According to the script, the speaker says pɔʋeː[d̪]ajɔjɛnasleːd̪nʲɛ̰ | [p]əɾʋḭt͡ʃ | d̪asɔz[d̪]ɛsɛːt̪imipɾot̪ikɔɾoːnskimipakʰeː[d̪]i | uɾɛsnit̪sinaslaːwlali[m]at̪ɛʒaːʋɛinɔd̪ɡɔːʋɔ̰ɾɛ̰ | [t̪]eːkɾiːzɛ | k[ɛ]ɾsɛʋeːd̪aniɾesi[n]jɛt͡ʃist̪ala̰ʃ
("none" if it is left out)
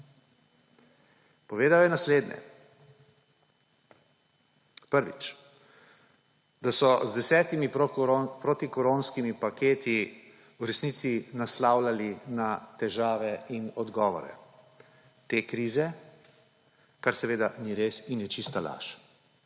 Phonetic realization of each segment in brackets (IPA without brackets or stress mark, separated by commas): d̪, p, d̪, t̪, n, t̪, a, n